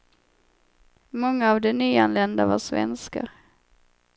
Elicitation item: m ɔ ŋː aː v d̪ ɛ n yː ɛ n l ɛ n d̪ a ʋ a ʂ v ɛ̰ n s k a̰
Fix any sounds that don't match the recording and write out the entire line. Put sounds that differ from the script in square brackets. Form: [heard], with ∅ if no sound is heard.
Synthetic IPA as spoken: m ɔ ŋː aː v d̪ ɛ n yː [a] n l ɛ n d̪ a [v] a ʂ v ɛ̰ n s k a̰